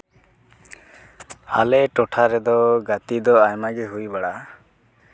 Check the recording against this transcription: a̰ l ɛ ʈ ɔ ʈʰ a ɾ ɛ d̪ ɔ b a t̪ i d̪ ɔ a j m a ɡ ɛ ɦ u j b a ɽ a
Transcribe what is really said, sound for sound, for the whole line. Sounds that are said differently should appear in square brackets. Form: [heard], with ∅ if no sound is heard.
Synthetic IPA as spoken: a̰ l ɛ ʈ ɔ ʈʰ a ɾ ɛ d̪ ɔ [ɡ] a t̪ i d̪ ɔ a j m a ɡ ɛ ɦ u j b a ɽ a

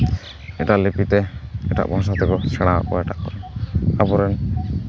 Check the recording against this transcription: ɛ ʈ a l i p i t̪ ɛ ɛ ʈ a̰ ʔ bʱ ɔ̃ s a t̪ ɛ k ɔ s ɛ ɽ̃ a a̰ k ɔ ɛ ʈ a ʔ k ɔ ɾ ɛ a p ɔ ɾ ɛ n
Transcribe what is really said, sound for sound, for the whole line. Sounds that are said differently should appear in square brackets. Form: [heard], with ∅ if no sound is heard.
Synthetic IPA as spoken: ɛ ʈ a l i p i t̪ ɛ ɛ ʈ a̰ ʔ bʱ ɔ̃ s a t̪ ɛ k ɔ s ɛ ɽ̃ a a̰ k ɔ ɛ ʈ a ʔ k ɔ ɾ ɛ a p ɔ ɾ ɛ n

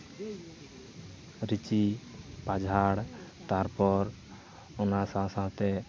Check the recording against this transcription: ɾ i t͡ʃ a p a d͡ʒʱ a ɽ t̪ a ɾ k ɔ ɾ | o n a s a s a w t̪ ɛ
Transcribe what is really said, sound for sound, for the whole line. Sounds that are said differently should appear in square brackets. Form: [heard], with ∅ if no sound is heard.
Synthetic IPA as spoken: ɾ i t͡ʃ [i] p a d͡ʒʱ a ɽ t̪ a ɾ [p] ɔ ɾ | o n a s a s a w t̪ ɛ

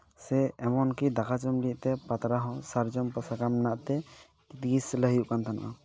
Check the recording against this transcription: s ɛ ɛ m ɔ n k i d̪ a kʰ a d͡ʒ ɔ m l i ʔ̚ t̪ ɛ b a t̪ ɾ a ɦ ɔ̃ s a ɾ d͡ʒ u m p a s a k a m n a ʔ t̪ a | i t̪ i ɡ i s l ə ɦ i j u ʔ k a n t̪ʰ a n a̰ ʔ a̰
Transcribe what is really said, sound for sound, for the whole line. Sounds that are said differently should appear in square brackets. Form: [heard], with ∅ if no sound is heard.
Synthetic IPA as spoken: s ɛ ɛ m ɔ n k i d̪ a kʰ a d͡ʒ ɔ m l i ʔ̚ t̪ ɛ [p] a t̪ ɾ a ɦ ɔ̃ s a ɾ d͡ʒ [ɔ] m p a s a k a m n a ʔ t̪ [ɛ] | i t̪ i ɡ i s l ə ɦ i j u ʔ k a n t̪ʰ a n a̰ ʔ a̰

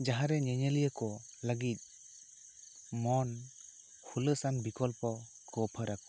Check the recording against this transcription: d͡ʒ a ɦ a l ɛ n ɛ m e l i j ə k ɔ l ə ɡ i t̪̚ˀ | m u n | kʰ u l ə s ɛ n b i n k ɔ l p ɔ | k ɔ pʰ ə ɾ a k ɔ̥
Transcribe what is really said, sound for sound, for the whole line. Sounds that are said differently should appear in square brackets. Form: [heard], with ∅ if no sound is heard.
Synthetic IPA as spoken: d͡ʒ a ɦ a [ɾ] ɛ [ɲ] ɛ [ɲ] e l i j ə k ɔ l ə ɡ i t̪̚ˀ | m [ɔ] n | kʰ u l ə s [a] n b i [∅] k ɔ l p ɔ | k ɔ pʰ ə ɾ a k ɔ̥

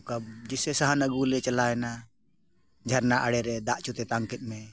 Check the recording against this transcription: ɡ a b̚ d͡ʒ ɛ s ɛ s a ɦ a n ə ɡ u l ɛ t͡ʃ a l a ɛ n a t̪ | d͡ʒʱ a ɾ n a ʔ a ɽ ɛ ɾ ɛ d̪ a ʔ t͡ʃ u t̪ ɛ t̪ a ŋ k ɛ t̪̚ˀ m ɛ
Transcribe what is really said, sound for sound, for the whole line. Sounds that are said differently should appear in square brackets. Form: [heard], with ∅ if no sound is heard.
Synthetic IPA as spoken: [k] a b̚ d͡ʒ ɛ s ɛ s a ɦ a n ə ɡ u l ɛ t͡ʃ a l a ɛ n a [∅] | d͡ʒʱ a ɾ n a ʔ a ɽ ɛ ɾ ɛ d̪ a ʔ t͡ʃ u t̪ ɛ t̪ a ŋ k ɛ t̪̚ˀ m ɛ

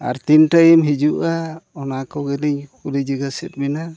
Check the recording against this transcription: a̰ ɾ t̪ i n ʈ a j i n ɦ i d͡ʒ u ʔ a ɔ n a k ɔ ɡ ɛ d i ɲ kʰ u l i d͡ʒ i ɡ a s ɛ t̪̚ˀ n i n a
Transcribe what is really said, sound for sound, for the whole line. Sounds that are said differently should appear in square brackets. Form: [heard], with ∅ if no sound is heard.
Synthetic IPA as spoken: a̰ ɾ t̪ i n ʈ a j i [m] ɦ i d͡ʒ u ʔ a ɔ n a k ɔ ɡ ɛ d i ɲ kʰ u l i d͡ʒ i ɡ a s ɛ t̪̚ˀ [m] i n a

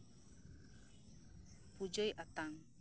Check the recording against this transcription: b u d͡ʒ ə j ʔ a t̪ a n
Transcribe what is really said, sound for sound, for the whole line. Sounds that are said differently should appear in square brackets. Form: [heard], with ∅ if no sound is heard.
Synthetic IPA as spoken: [p] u d͡ʒ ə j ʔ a t̪ a [ŋ]

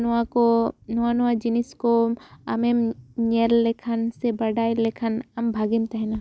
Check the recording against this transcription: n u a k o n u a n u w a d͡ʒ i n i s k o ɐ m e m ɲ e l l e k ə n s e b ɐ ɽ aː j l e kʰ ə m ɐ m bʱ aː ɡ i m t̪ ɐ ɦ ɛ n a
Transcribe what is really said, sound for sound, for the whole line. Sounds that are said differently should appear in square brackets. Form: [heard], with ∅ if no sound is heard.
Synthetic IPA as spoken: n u a k o n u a n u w a d͡ʒ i n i s k o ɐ m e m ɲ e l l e [kʰ] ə n s e b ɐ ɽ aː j l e kʰ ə [n] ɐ m bʱ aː ɡ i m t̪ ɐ ɦ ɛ n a

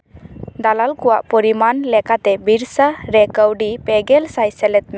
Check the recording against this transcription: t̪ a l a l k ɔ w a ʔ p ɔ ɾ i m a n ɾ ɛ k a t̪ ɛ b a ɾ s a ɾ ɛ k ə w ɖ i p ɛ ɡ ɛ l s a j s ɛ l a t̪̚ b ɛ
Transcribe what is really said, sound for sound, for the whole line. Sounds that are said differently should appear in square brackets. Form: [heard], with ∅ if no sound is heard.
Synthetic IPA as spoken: [d̪] a l a l k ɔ w a ʔ p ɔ ɾ i m a n [l] ɛ k a t̪ ɛ b [i] ɾ s a ɾ ɛ k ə w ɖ i p ɛ ɡ ɛ l s a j s ɛ l [ɛ] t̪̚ [m] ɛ

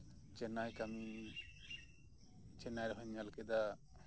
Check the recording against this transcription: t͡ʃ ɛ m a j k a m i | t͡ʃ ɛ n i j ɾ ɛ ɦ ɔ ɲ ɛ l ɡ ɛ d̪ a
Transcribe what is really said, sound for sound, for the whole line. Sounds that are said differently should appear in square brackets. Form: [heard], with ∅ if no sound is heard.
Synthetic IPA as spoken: t͡ʃ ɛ [n] a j k a m i | t͡ʃ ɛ n [a] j ɾ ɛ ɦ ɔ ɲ [a] l [k] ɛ d̪ a

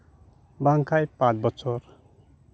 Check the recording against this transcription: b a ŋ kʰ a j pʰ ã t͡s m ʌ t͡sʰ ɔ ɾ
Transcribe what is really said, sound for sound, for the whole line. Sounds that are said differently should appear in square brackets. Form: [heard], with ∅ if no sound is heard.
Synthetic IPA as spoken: b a ŋ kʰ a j [p] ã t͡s [b] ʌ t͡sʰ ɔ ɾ

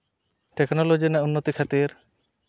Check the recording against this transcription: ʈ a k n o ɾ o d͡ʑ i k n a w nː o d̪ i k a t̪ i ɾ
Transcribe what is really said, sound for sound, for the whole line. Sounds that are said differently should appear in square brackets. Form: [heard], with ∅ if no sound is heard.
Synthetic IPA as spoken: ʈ [e] k n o [l] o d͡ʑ i [∅] n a [u] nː o [t̪] i [kʰ] a t̪ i ɾ

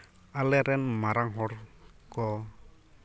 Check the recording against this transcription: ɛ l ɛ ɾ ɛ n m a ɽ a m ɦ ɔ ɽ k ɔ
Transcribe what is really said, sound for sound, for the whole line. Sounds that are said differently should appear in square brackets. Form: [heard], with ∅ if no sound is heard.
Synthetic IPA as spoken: [a] l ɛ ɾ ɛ n m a [ɾ] a [ŋ] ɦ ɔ [ɾ] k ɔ

